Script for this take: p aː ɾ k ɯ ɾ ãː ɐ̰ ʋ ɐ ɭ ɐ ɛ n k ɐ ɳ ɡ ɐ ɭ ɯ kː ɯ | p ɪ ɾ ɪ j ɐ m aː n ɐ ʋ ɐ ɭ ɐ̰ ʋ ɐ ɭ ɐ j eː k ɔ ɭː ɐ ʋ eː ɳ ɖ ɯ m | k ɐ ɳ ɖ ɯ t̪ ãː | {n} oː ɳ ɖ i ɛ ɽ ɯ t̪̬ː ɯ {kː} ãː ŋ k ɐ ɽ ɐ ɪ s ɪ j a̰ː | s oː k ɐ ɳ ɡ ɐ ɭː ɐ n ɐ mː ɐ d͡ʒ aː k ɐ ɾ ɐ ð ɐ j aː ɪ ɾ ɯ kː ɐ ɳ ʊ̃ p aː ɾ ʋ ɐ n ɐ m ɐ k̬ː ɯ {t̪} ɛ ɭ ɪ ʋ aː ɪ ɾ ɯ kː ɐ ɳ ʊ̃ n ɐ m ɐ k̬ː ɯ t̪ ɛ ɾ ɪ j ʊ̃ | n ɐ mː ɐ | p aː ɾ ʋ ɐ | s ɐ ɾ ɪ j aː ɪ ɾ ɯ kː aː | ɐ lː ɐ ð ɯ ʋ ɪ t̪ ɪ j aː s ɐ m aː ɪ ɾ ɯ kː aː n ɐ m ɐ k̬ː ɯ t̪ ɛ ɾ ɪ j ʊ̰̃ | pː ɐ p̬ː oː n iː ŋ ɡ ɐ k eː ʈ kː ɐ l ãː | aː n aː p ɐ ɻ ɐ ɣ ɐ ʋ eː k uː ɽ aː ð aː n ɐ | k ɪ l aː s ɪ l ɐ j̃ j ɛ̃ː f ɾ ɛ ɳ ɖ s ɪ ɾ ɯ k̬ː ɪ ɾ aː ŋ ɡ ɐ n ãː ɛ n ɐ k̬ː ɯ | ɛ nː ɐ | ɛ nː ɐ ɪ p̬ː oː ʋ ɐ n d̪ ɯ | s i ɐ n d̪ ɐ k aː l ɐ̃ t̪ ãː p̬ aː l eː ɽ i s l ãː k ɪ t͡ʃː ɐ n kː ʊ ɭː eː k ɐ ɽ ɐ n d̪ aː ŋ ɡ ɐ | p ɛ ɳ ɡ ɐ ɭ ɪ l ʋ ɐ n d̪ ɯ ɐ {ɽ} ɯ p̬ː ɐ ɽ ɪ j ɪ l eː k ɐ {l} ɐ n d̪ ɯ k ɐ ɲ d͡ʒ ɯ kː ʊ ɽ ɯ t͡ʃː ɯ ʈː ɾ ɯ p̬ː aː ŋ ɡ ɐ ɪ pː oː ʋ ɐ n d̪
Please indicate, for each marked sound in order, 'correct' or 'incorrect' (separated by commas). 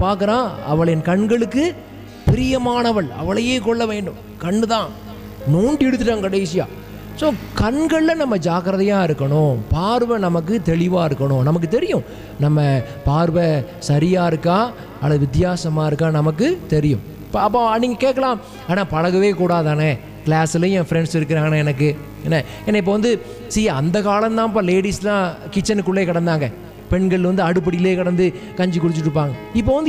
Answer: correct, incorrect, correct, correct, incorrect